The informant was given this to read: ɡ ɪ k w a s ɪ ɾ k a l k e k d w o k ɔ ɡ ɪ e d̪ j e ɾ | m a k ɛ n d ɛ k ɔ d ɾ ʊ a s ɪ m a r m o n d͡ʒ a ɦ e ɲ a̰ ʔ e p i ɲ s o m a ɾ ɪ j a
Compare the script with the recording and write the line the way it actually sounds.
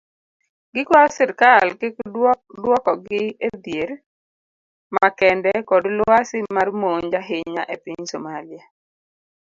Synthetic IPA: ɡ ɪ k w a s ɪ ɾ k a l k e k d w ɔ k ɔ ɡ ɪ e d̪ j e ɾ | m a k ɛ n d ɛ k ɔ d l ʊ a s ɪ m a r m o ɲ d͡ʒ a ɦ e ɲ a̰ ʔ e p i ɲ s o m a l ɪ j a